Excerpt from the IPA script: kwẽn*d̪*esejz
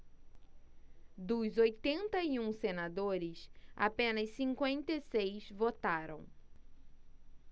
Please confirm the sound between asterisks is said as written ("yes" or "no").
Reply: no